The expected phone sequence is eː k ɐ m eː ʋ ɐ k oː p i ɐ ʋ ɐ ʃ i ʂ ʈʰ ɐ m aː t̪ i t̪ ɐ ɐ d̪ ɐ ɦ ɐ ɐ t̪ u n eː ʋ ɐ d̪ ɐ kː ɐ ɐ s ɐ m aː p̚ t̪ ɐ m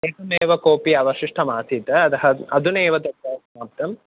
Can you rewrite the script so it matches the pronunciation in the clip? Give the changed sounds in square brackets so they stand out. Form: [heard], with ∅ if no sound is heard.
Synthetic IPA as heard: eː k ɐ m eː ʋ ɐ k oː p i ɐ ʋ ɐ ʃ i ʂ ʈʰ ɐ m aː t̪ i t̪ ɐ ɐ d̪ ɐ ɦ ɐ ɐ [d̪] u n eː ʋ ɐ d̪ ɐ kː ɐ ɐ s ɐ m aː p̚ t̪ ɐ m

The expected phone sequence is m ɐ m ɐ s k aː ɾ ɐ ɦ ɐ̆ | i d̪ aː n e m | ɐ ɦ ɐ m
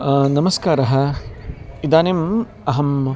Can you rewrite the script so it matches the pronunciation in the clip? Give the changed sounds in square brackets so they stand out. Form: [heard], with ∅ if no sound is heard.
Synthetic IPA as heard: [n] ɐ m ɐ s k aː ɾ ɐ ɦ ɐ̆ | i d̪ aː n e m | ɐ ɦ ɐ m

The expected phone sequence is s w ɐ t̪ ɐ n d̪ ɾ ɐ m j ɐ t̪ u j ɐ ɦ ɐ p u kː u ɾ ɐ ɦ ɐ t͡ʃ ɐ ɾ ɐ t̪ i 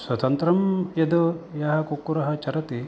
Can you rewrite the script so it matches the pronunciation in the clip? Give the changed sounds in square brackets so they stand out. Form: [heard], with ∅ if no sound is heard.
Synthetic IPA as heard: s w ɐ t̪ ɐ n [t̪] ɾ ɐ m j ɐ [d̪] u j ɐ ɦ ɐ [k] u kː u ɾ ɐ ɦ ɐ t͡ʃ ɐ ɾ ɐ t̪ i

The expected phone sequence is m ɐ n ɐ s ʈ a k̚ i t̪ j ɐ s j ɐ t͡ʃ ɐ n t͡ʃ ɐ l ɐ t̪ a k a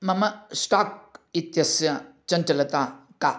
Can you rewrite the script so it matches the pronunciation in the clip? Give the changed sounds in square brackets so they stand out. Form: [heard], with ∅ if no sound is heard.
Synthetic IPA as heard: m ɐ [m] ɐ s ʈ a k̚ i t̪ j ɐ s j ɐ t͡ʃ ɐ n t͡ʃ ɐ l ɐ t̪ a k a

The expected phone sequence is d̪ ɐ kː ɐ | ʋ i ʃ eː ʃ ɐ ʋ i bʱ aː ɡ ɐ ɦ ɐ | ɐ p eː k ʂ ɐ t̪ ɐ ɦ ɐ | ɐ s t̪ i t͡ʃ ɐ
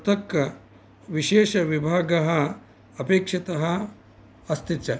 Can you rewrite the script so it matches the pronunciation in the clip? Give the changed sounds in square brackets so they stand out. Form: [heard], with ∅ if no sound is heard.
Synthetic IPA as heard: [t̪] ɐ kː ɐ | ʋ i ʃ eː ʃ ɐ ʋ i bʱ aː ɡ ɐ ɦ ɐ | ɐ p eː k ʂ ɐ t̪ ɐ ɦ ɐ | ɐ s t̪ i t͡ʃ ɐ

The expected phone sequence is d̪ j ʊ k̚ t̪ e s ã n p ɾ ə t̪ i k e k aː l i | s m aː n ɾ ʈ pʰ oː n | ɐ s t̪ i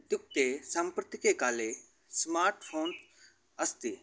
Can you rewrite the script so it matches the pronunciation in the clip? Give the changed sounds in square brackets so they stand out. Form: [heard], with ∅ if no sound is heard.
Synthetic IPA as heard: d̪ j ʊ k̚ t̪ e s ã [m] p ɾ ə t̪ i k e k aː l [e] | s m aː [∅] ɾ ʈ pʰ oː n | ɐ s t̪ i

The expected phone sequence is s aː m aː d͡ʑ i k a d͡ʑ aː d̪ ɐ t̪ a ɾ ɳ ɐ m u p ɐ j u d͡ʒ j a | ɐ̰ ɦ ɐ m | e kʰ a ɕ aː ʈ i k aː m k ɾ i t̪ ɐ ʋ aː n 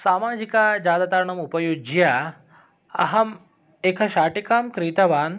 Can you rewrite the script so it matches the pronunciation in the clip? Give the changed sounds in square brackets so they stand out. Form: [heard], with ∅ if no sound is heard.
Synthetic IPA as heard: s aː m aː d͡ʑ i k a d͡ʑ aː d̪ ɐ t̪ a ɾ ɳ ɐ m u p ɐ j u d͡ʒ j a | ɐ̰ ɦ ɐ m | e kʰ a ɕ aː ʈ i k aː m k ɾ i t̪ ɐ ʋ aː n

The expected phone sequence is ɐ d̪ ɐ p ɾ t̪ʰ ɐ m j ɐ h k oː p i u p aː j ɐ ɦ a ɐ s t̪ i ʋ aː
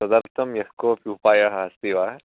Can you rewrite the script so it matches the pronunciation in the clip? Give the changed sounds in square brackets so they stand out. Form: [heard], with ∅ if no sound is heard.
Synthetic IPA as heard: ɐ d̪ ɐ [∅] ɾ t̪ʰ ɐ m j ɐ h k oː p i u p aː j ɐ ɦ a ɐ s t̪ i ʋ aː

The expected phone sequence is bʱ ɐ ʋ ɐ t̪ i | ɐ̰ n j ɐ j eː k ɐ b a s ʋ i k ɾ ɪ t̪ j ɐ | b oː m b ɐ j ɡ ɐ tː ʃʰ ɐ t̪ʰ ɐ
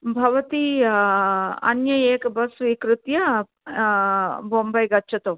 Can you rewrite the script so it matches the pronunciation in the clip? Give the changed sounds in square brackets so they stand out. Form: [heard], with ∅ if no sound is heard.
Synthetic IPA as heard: bʱ ɐ ʋ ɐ t̪ i | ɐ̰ n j ɐ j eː k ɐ b [ɐ] s ʋ i k ɾ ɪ t̪ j ɐ | b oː m b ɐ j ɡ ɐ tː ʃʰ ɐ [t̪] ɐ

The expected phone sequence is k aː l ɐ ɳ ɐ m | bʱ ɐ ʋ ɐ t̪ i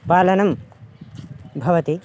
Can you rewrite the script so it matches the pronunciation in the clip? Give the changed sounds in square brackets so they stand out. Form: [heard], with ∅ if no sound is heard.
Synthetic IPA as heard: [p] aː l ɐ [n] ɐ m | bʱ ɐ ʋ ɐ t̪ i

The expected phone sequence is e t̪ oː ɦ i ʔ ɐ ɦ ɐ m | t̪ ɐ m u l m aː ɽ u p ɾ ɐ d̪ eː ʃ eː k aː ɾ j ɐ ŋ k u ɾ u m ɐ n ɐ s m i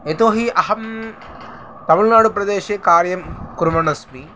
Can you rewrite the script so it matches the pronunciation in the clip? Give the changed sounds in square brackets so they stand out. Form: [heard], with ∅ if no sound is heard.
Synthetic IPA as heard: e t̪ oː ɦ i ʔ ɐ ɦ ɐ m | t̪ ɐ m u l [n] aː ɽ u p ɾ ɐ d̪ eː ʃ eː k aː ɾ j ɐ [m] k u ɾ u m ɐ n ɐ s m i

